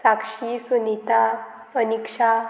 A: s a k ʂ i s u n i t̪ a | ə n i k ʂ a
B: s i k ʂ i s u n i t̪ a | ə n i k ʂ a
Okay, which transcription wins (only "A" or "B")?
A